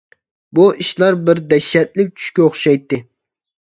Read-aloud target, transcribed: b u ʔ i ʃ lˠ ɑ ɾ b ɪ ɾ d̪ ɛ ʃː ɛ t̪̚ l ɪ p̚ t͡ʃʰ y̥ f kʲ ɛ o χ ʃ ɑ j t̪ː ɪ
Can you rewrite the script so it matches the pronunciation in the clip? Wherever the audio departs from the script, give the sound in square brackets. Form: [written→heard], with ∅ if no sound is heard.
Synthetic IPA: b u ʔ i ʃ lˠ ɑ ɾ b ɪ ɾ d̪ ɛ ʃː ɛ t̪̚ l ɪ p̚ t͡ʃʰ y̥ [f→ʃ] kʲ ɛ o χ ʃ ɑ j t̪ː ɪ